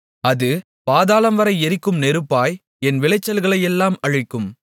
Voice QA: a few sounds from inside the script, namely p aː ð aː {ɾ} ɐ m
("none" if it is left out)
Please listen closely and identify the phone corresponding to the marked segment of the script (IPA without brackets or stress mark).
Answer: l